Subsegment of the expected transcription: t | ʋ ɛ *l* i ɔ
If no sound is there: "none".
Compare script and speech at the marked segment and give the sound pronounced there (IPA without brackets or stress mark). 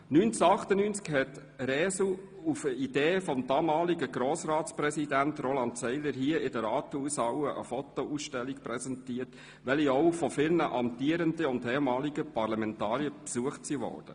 l